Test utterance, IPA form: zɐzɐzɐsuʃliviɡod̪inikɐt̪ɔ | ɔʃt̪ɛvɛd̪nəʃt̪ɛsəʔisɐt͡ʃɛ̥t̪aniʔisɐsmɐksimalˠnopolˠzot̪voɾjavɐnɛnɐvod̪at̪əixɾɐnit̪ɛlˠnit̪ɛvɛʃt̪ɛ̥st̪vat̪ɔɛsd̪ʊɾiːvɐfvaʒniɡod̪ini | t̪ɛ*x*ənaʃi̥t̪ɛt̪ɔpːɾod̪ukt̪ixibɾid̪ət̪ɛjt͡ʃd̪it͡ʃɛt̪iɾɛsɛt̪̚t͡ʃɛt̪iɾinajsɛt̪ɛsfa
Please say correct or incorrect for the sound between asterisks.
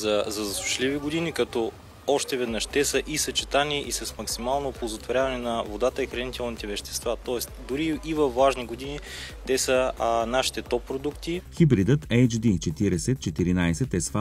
incorrect